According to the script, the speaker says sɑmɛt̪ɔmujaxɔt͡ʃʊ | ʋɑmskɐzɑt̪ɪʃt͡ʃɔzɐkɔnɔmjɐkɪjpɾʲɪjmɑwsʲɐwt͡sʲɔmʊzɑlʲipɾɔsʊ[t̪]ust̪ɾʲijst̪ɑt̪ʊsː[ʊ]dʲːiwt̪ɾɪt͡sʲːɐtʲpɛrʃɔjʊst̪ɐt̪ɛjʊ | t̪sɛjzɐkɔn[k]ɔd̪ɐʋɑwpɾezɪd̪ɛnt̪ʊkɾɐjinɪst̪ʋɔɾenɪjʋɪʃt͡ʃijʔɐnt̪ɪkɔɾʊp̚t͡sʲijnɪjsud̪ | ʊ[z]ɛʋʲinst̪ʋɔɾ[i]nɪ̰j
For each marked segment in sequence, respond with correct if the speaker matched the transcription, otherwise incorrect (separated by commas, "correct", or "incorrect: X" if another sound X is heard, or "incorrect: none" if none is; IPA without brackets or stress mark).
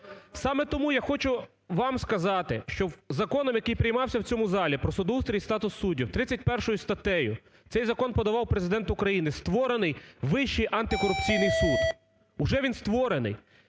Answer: incorrect: d̪, incorrect: u, incorrect: p, incorrect: ʒ, incorrect: e